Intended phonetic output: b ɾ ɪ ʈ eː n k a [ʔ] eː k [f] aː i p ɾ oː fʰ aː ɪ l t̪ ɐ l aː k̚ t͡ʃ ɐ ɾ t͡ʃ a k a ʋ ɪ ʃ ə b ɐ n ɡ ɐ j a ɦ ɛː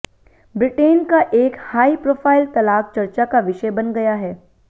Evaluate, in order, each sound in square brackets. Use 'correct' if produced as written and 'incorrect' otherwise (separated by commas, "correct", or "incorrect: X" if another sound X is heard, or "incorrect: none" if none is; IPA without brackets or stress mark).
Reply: correct, incorrect: h